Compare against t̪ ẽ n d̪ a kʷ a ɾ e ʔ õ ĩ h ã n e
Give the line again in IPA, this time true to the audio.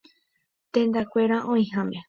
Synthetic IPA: t̪ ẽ n d̪ a kʷ e ɾ a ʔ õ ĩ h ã m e